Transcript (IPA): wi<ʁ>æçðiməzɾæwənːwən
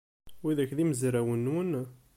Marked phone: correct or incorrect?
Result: incorrect